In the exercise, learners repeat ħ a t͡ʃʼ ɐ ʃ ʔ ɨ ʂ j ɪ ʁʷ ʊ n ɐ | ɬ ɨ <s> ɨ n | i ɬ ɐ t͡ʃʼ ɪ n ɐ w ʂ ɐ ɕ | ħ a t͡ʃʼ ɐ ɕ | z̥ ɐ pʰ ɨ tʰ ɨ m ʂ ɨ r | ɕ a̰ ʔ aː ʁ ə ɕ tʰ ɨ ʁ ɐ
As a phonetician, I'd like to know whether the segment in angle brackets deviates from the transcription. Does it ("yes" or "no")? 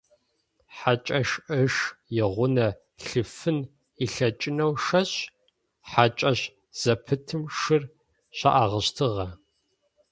yes